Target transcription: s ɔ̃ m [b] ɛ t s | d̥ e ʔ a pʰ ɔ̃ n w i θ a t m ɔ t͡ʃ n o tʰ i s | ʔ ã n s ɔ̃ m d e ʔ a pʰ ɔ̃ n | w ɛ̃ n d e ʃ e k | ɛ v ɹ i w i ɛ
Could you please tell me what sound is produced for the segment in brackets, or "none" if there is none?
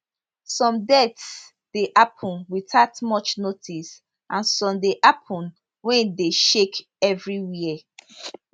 d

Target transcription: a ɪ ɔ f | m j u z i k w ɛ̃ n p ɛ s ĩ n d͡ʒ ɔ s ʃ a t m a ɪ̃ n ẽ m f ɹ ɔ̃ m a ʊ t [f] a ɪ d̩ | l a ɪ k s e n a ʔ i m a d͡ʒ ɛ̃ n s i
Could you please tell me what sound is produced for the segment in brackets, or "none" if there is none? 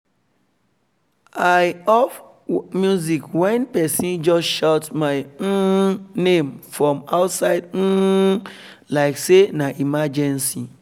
s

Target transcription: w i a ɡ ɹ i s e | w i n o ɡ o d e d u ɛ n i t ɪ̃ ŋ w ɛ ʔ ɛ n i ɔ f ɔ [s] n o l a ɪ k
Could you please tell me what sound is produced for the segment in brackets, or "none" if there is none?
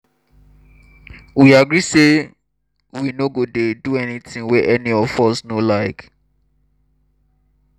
s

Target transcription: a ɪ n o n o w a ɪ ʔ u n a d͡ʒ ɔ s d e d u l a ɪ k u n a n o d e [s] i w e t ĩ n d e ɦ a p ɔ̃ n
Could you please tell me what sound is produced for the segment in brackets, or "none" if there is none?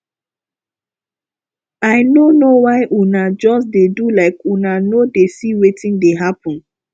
s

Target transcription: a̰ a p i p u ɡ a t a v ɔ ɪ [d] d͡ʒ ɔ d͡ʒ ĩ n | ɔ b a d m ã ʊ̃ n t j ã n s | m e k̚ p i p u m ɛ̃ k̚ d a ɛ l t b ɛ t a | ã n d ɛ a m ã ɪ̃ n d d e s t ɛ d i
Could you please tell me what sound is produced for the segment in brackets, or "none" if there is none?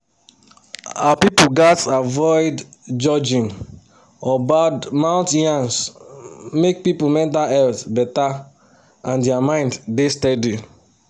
d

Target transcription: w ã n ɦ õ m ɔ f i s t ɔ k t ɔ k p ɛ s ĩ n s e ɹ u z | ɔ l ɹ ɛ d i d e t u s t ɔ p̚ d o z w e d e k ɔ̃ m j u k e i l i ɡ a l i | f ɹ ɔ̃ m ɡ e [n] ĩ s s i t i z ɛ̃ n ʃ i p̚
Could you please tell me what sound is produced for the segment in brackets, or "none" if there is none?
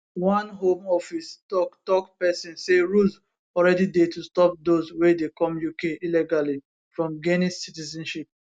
n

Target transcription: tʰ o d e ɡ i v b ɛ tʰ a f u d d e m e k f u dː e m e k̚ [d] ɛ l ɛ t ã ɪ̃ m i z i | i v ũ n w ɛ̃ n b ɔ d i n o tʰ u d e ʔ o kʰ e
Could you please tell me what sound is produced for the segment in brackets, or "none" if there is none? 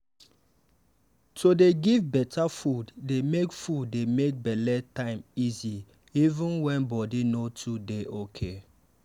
b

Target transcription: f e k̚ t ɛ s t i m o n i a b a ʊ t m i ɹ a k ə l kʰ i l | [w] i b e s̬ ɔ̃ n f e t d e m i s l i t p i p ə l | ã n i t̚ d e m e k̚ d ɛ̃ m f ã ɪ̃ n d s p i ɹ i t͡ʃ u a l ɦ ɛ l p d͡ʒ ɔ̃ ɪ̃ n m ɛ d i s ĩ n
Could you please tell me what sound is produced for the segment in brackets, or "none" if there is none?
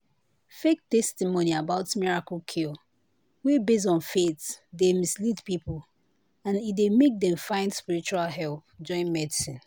w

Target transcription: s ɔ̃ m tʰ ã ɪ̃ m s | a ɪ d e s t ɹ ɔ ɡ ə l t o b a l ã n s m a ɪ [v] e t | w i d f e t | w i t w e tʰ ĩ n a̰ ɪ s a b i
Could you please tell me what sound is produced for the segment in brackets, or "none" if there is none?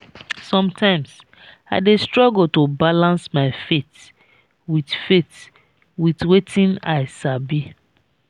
f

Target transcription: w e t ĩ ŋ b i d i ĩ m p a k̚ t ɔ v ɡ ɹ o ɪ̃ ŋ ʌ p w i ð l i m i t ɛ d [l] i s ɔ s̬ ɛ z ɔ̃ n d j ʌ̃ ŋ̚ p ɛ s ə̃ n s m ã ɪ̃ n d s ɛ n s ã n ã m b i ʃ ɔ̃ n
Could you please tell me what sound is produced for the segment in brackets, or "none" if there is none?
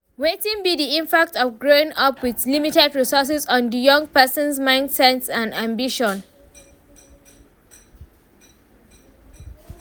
ɹ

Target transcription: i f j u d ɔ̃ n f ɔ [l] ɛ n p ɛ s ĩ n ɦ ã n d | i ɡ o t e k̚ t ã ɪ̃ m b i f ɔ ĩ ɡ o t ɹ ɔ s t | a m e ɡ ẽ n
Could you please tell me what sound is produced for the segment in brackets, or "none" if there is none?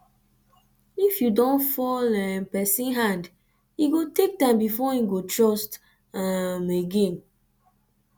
l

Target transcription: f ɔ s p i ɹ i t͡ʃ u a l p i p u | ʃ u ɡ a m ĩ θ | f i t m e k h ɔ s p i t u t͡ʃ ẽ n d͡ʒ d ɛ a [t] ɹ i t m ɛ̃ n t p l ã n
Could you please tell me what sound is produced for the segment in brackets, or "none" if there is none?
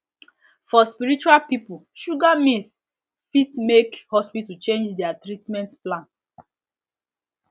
t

